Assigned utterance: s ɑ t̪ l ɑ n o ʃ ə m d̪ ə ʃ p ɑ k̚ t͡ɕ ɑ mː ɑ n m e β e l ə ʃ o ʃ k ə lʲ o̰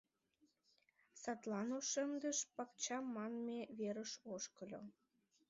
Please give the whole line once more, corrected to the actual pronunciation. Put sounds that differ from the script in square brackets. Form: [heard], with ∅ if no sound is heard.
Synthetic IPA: s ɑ t̪ l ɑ n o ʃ ə m d̪ ə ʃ p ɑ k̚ t͡ɕ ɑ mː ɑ n m e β e [ɾ] ə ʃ o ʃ k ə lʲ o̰